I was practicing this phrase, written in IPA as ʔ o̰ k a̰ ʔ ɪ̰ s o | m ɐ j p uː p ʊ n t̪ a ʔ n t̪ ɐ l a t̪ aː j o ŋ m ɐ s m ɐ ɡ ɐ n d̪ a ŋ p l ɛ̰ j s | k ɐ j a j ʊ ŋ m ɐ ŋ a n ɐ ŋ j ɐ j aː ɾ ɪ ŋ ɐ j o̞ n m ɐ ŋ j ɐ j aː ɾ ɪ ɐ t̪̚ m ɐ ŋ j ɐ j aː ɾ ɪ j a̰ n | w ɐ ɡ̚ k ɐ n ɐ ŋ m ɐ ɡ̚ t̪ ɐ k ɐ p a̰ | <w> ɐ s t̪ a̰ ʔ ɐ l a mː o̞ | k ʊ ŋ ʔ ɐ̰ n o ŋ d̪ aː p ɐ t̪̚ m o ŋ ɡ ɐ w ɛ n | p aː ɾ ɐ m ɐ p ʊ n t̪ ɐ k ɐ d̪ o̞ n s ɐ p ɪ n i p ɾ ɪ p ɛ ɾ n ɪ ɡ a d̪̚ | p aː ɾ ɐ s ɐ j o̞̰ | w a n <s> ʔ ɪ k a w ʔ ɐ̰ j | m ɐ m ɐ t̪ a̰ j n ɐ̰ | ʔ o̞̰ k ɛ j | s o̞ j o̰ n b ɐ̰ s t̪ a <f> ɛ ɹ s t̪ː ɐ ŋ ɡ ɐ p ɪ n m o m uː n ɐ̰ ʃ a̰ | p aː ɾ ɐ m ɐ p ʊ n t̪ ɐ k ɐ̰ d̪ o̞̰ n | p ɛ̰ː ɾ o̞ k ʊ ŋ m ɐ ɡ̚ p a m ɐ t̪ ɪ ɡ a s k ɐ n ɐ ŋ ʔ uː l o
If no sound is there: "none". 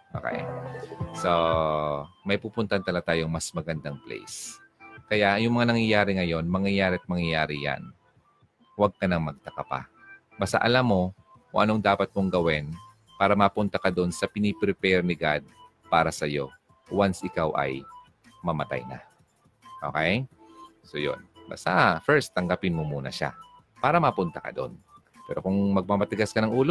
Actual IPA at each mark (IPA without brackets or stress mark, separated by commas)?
b, s, f